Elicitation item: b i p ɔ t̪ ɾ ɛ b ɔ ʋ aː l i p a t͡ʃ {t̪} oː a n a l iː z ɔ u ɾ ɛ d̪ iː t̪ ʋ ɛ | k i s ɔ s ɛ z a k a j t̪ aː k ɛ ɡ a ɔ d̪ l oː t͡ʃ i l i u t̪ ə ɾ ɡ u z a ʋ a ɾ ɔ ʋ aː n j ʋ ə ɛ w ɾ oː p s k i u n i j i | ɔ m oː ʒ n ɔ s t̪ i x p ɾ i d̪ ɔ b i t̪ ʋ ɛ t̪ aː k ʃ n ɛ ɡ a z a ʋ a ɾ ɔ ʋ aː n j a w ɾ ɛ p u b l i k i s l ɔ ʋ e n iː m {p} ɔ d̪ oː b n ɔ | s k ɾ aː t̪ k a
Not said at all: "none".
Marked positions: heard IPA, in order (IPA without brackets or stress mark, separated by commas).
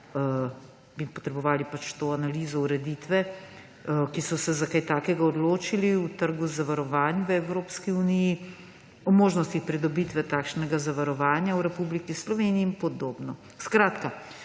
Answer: t̪, p